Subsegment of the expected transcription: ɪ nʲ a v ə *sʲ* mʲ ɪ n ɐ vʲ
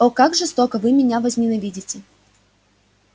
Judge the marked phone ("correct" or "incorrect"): incorrect